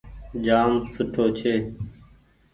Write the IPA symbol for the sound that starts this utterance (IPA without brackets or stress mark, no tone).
d͡ʒ